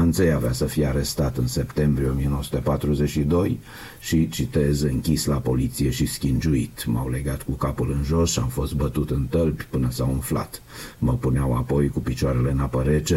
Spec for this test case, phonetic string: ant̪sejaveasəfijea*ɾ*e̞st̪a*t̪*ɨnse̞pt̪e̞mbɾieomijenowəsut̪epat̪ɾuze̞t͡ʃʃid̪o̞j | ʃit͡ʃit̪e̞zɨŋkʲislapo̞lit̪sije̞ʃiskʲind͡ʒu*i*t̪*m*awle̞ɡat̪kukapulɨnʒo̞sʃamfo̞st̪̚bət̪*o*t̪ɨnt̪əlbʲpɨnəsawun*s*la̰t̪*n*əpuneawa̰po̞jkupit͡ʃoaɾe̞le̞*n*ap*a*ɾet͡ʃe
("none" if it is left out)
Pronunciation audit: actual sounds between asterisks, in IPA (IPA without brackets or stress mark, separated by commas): ɾ, t̪, i, m, u, f, m, n, ə